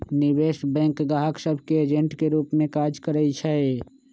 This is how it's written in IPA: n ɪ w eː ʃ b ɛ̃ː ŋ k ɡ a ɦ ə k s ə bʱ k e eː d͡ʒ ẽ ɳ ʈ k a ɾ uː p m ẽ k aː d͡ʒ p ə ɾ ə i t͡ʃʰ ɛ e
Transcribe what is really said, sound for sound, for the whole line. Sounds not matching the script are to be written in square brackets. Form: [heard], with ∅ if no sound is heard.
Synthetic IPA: n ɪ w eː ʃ b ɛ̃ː ŋ k ɡ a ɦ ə k s ə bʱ k e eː d͡ʒ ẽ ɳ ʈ k [e] ɾ uː p m ẽ k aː d͡ʒ [k] ə ɾ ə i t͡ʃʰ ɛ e